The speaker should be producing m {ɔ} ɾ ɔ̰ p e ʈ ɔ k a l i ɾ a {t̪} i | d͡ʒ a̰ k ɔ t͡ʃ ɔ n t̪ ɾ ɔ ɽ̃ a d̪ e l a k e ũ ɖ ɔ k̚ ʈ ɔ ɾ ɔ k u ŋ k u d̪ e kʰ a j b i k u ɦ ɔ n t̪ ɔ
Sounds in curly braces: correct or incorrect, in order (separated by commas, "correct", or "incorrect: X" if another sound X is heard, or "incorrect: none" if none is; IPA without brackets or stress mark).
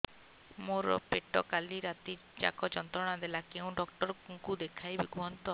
incorrect: o, correct